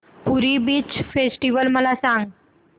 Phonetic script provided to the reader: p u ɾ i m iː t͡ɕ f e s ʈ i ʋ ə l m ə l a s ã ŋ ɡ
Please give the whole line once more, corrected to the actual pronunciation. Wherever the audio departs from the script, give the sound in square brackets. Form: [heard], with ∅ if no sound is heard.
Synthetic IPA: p u ɾ i [b] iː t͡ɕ f e s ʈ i ʋ ə l m ə l a s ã ŋ ɡ